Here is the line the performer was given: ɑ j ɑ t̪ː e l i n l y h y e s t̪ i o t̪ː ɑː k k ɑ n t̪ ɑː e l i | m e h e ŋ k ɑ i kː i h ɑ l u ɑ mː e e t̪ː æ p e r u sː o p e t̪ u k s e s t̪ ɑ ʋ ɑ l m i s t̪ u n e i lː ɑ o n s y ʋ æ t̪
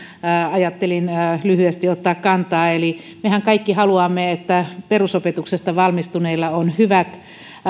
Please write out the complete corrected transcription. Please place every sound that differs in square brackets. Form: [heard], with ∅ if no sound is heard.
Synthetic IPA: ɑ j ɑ t̪ː e l i n l y h y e s t̪ i o t̪ː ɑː k k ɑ n t̪ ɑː e l i | m e h [æ] ŋ k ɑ i kː i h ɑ l u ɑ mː e e t̪ː æ p e r u [s] o p e t̪ u k s e s t̪ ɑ ʋ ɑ l m i s t̪ u n e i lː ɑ o n [h] y ʋ æ t̪

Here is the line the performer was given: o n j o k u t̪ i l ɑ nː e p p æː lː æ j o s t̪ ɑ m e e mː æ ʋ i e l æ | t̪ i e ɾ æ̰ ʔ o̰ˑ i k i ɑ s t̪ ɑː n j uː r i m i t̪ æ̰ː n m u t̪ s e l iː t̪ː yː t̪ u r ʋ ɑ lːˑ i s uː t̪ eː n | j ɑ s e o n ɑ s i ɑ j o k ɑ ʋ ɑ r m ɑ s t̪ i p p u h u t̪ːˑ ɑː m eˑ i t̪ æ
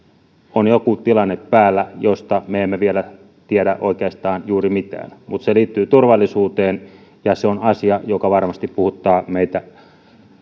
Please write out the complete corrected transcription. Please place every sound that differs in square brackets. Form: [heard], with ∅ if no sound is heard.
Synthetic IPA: o n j o k u t̪ i l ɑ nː e p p æː lː æ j o s t̪ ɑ m e e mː [e] ʋ i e l æ | t̪ i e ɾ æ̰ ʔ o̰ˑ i k [e] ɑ s t̪ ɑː n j uː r i m i t̪ æ̰ː n m u t̪ s e l iː t̪ː yː t̪ u r ʋ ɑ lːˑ i s uː t̪ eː n | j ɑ s e o n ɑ s i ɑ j o k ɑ ʋ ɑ r m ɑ s t̪ i p p u h u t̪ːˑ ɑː m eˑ i t̪ æ

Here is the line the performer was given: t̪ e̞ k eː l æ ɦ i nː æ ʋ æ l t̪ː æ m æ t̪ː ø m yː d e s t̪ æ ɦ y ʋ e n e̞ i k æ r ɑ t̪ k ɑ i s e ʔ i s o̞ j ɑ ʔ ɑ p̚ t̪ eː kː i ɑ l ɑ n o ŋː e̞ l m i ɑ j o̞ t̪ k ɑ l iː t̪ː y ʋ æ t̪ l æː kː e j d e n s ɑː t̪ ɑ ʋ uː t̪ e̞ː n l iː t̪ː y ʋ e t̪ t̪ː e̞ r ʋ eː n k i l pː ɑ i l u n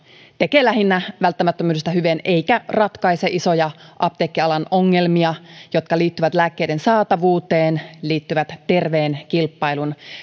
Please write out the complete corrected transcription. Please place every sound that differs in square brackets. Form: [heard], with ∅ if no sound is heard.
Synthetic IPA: t̪ e̞ k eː l æ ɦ i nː æ ʋ æ l t̪ː æ m æ t̪ː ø m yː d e s t̪ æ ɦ y ʋ e n e̞ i k æ r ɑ t̪ k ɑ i s e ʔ i s o̞ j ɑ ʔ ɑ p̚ t̪ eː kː i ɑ l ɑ n o ŋː e̞ l m i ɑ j o̞ t̪ k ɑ l iː t̪ː y ʋ æ t̪ l æː kː e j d e n s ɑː t̪ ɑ ʋ uː t̪ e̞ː n l iː t̪ː y ʋ [æ] t̪ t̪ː e̞ r ʋ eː n k i l pː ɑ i l u n

